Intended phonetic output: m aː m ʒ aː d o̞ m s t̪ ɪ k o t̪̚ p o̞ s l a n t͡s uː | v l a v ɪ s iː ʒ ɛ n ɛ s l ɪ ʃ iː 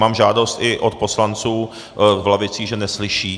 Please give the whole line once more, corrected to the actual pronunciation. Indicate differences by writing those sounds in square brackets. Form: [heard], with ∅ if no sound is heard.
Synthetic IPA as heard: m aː m ʒ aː d o̞ [∅] s t̪ ɪ [ʔ] o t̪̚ p o̞ s l a n t͡s uː | v l a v ɪ [t͡s] iː ʒ ɛ n ɛ s l ɪ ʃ iː